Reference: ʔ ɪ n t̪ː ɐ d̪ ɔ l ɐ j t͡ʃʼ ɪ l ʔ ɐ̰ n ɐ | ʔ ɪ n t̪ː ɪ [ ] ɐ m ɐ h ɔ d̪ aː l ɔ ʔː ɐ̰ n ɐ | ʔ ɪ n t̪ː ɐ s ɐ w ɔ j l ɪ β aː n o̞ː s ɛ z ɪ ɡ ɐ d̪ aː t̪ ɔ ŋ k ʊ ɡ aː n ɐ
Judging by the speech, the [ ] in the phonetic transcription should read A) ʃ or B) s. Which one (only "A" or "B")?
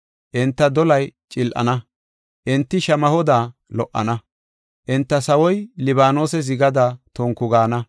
A